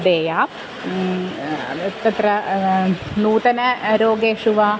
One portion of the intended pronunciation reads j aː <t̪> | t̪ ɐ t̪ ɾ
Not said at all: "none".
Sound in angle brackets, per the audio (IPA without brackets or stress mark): none